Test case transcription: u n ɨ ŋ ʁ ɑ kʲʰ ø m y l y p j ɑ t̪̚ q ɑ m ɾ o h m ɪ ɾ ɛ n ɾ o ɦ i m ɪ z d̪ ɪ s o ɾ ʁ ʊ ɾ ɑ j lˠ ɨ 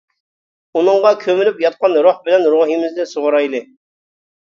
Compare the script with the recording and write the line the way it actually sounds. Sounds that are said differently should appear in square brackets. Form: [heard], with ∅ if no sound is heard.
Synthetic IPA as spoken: u n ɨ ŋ ʁ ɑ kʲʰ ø m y l y p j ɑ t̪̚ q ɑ [n] ɾ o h [b] ɪ [l] ɛ n ɾ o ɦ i m ɪ z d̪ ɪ s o [∅] ʁ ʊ ɾ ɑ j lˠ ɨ